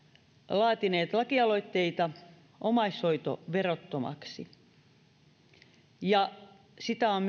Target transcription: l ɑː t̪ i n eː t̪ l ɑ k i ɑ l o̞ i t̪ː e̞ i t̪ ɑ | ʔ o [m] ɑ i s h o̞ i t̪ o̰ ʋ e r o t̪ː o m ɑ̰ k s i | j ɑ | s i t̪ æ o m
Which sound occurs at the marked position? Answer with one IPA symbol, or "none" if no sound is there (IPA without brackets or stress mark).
m